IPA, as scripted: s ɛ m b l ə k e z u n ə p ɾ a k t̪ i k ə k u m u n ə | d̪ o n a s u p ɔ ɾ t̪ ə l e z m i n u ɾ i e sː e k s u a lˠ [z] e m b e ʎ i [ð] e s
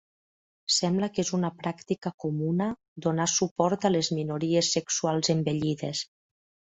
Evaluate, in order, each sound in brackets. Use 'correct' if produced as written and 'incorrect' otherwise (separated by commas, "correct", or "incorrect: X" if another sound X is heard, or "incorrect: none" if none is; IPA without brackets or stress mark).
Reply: correct, correct